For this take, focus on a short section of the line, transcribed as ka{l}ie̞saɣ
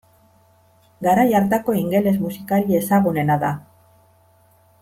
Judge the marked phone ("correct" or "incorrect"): correct